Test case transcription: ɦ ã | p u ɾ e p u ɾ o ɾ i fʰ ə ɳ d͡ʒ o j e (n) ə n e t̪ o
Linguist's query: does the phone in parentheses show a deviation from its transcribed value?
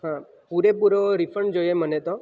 yes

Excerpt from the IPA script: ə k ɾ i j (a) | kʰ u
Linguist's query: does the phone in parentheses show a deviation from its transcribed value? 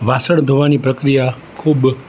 no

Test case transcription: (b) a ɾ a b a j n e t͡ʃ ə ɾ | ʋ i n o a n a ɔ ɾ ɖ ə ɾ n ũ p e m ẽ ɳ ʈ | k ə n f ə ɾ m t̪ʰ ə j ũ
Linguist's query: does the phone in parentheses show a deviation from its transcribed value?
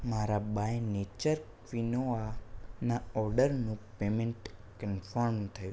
yes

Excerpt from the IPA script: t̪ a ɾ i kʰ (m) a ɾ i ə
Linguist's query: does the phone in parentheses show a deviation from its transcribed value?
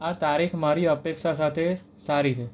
no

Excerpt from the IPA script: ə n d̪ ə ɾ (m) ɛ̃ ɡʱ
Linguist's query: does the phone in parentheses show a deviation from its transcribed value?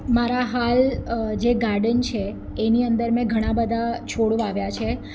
no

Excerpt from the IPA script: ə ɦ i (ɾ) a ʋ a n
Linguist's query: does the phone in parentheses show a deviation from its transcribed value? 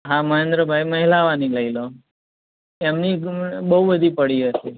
yes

